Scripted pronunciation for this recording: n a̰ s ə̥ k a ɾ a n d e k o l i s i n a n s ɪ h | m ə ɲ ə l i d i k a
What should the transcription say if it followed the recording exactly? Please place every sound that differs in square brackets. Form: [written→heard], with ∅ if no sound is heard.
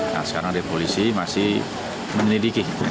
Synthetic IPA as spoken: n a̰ s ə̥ k a ɾ a [n→ŋ] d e [k→p] o l i s i [n→m] a [n→∅] s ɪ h | m ə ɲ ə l i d i k [a→i]